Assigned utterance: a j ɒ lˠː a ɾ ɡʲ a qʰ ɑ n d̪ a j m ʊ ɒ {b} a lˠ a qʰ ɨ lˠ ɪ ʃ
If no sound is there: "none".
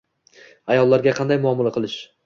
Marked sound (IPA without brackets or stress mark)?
m